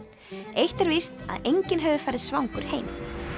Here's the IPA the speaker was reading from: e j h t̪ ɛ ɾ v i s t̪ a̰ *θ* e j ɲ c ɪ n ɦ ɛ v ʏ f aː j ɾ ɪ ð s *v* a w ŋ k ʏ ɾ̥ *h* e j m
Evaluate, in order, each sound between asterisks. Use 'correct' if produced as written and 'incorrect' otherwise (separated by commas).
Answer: incorrect, correct, correct